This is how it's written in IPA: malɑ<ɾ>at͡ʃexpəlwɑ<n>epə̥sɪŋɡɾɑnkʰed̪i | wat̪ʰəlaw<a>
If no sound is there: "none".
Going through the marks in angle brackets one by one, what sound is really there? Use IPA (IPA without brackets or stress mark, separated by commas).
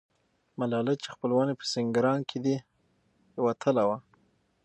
l, n, a